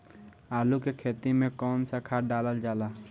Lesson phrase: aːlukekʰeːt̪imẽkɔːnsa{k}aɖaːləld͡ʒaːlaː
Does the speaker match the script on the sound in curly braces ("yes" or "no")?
no